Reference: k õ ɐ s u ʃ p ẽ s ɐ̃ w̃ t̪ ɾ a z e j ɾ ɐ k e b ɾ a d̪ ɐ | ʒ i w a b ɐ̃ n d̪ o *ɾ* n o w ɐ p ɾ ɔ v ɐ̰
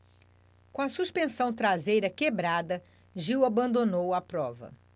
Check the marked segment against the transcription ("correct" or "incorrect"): incorrect